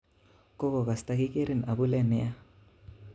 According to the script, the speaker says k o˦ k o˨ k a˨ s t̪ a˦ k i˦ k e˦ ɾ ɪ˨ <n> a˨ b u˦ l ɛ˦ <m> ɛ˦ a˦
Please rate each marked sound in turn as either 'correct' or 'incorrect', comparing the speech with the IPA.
correct, incorrect: n

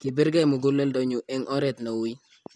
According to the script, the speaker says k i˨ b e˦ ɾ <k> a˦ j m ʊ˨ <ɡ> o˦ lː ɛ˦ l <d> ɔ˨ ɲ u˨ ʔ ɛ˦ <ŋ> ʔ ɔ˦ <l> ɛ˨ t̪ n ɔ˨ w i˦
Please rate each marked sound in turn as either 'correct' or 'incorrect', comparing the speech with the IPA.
incorrect: ɡ, correct, correct, correct, incorrect: ɾ

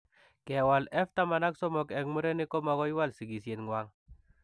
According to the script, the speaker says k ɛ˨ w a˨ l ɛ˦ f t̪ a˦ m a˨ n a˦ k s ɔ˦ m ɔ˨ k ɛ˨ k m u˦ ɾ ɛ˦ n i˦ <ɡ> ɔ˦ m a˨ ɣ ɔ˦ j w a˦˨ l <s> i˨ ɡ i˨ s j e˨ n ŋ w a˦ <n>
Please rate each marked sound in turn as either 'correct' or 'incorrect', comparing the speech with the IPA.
incorrect: k, correct, incorrect: ŋ

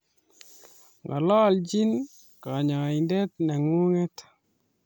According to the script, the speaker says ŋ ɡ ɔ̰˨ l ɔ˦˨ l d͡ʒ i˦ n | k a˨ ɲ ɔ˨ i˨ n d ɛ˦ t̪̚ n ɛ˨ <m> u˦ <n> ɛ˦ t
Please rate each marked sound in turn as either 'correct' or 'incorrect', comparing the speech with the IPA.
incorrect: ŋ, incorrect: ŋ

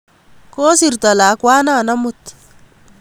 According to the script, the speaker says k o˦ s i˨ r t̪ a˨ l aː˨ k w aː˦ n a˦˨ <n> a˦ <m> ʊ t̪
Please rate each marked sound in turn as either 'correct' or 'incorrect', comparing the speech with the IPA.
correct, correct

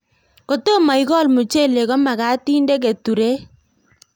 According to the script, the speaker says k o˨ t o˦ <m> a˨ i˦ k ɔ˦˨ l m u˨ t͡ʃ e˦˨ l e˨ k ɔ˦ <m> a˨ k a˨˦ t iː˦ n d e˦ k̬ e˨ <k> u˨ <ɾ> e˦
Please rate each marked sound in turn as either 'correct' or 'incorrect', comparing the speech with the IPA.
correct, correct, incorrect: t, correct

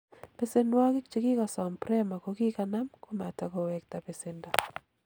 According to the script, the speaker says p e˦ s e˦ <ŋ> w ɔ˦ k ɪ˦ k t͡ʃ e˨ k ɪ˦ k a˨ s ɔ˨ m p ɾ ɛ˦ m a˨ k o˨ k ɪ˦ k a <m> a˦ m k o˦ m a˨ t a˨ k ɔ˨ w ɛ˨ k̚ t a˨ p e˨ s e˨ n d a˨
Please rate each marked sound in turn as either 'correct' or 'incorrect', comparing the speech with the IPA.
incorrect: n, incorrect: n

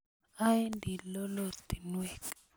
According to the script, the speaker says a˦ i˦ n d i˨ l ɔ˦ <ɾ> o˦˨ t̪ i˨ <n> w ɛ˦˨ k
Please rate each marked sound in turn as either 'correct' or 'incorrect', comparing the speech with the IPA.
incorrect: l, correct

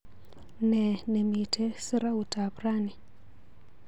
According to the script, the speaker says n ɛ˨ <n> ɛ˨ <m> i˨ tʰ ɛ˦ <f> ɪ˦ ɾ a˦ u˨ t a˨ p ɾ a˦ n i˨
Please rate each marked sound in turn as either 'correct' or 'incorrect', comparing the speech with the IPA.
correct, correct, incorrect: s

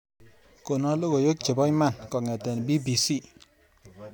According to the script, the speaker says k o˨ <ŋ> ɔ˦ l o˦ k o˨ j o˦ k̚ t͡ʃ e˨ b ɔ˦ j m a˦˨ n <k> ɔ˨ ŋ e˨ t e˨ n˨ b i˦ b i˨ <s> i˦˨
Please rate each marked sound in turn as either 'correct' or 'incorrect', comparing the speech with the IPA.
incorrect: n, correct, correct

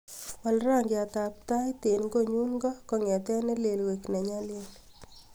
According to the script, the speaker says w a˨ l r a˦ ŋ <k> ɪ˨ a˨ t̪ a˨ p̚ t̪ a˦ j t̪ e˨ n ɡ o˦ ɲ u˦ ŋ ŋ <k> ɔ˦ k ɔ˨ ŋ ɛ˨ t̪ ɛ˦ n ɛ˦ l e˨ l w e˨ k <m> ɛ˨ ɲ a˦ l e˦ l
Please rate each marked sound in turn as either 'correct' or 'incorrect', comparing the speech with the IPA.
incorrect: ɡ, incorrect: ɡ, incorrect: n

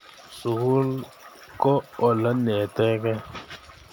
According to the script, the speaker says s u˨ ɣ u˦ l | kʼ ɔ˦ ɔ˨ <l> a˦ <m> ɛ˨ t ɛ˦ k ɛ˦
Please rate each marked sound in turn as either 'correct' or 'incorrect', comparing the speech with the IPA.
correct, incorrect: n

